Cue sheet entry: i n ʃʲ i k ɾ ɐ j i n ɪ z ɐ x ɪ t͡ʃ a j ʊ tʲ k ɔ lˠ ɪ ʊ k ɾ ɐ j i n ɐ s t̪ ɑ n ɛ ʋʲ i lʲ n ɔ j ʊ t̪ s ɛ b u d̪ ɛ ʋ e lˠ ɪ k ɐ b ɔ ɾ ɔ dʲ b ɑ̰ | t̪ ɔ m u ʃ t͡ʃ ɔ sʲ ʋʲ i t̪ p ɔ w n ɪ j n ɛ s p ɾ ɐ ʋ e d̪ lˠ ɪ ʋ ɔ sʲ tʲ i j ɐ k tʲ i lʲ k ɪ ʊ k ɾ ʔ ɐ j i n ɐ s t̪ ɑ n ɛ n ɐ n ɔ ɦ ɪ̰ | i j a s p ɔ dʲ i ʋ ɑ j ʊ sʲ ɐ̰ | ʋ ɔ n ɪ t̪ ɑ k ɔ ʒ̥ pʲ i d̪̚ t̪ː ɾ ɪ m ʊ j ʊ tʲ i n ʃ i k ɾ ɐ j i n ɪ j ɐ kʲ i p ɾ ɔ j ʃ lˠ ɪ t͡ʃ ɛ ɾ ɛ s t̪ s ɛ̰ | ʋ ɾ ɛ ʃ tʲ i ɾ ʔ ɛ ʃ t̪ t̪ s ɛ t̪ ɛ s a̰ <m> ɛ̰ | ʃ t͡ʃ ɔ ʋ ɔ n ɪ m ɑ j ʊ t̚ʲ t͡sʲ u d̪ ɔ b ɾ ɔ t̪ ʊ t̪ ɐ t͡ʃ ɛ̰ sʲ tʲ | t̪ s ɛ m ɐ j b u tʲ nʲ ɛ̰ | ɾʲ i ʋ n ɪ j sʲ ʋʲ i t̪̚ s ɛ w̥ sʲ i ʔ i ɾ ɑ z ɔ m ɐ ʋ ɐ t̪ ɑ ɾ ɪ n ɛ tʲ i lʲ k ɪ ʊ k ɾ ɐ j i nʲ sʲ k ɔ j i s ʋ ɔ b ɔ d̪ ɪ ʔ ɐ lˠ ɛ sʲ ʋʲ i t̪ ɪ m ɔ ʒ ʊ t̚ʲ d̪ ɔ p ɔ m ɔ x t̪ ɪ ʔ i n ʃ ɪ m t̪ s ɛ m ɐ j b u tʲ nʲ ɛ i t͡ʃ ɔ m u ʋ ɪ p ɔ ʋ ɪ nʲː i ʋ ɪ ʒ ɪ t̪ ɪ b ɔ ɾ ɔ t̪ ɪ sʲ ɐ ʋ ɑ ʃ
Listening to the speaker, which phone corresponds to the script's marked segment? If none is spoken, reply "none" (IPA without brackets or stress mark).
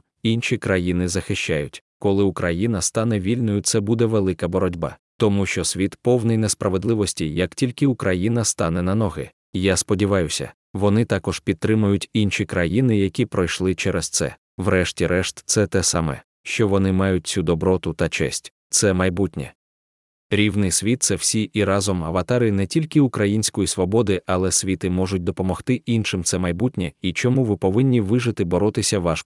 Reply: m